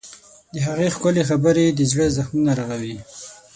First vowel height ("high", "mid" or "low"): mid